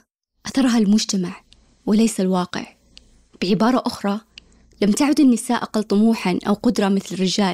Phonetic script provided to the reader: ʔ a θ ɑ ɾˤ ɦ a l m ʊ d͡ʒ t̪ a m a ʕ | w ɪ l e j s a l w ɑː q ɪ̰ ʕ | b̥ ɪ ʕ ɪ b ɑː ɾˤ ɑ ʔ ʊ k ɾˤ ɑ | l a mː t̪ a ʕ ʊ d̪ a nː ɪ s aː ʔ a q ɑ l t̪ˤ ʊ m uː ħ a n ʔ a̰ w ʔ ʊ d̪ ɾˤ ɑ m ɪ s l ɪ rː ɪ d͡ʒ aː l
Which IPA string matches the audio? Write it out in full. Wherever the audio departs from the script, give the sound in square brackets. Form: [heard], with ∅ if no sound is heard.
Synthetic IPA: ʔ a θ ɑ ɾˤ ɦ a l m ʊ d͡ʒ t̪ a m a ʕ | w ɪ l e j s a l w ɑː q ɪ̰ ʕ | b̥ ɪ ʕ ɪ b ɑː ɾˤ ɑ ʔ ʊ [x] ɾˤ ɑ | l a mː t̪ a ʕ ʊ d̪ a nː ɪ s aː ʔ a q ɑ l t̪ˤ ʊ m uː ħ a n ʔ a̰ w [q] ʊ d̪ ɾˤ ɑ m ɪ [θ] l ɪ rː ɪ d͡ʒ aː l